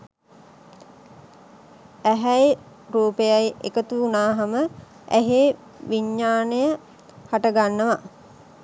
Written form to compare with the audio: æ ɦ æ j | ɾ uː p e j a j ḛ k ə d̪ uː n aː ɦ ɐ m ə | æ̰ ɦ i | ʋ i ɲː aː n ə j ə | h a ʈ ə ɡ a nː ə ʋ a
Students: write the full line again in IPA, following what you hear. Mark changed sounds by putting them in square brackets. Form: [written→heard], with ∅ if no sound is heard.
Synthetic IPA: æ ɦ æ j | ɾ uː p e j a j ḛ k ə [d̪→t̪] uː n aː ɦ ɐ m ə | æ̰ ɦ [i→e] | ʋ i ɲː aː n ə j ə | h a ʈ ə ɡ a nː ə ʋ a